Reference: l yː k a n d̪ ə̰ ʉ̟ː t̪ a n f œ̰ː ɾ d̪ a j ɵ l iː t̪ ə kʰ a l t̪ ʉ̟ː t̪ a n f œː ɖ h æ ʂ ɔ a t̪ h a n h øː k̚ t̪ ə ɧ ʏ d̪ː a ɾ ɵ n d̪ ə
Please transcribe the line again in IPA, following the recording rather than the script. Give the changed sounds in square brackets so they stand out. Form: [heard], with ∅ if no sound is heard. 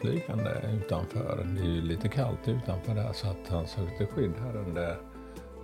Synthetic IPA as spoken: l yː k a n d̪ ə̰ ʉ̟ː t̪ a n f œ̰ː ɾ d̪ [ɛ] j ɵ l iː t̪ ə kʰ a l t̪ ʉ̟ː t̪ a n f œː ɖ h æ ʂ ɔ a t̪ h a n [s] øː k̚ t̪ ə ɧ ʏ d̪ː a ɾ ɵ n d̪ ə